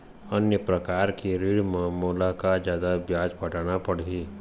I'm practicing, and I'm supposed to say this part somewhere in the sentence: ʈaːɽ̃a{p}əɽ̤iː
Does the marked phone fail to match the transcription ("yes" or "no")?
no